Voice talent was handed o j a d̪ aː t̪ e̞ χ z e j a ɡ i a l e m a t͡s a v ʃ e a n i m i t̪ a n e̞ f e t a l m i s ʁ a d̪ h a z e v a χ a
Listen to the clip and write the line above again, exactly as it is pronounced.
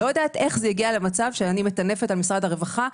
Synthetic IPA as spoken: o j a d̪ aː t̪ e̞ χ z e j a ɡ i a l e m a t͡s a v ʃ e a n i m e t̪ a n e̞ f e t a l m i s ʁ a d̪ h a ʁ e v a χ a